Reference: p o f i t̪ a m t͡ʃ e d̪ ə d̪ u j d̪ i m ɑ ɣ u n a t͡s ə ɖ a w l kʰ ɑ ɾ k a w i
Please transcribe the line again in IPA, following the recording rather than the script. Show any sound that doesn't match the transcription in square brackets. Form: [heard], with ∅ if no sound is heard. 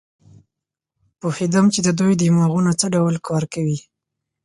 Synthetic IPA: p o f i [d̪] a m t͡ʃ e d̪ ə d̪ u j d̪ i m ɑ ɣ u n a t͡s ə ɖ a w l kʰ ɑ ɾ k a w i